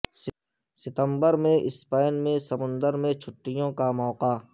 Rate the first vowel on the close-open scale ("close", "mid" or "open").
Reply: close